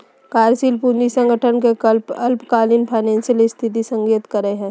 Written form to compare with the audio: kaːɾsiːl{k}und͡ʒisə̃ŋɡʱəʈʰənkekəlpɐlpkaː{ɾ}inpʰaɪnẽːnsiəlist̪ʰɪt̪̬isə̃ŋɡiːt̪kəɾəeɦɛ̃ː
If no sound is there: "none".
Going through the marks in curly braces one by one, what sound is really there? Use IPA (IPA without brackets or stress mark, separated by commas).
p, l